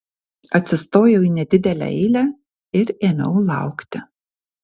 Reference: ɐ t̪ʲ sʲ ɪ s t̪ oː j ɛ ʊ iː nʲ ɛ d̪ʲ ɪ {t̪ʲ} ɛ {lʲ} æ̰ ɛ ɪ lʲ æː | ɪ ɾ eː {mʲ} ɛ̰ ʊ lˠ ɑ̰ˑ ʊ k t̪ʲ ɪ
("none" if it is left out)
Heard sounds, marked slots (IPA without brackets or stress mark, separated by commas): d̪ʲ, lʲ, mʲ